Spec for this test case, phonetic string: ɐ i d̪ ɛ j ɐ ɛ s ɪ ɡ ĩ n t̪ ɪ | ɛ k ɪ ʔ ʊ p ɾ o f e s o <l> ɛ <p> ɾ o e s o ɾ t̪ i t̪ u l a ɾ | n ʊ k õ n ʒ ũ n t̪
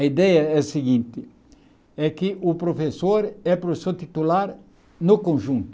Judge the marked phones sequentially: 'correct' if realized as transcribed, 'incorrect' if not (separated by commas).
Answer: incorrect, correct